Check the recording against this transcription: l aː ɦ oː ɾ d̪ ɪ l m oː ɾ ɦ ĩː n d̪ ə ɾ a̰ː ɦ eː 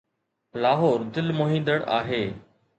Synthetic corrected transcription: l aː ɦ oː ɾ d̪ ɪ l m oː ɦ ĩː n d̪ ə ɽ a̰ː ɦ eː